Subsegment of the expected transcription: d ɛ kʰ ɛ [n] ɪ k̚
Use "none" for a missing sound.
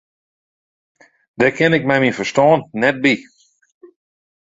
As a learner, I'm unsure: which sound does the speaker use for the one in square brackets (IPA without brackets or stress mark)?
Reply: n